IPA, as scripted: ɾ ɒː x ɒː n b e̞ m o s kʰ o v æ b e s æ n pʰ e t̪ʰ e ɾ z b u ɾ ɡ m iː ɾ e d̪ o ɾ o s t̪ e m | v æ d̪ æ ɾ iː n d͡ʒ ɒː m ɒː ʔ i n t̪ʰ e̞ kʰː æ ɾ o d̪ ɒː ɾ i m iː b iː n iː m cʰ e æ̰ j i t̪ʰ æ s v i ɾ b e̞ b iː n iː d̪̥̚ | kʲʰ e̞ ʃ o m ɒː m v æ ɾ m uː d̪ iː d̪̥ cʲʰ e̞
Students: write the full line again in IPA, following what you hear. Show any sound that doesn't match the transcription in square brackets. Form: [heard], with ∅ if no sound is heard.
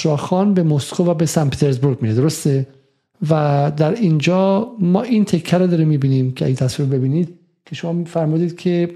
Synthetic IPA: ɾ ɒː x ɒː n b e̞ m o s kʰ o v æ b e s æ n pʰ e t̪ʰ e ɾ z b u ɾ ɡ m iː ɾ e d̪ o ɾ o s t̪ e [∅] | v æ d̪ æ ɾ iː n d͡ʒ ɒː m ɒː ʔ i n t̪ʰ e̞ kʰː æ ɾ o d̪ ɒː ɾ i m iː b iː n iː m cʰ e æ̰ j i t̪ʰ æ s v i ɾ b e̞ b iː n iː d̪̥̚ | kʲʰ e̞ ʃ o m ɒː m [f] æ ɾ m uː d̪ iː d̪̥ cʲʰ e̞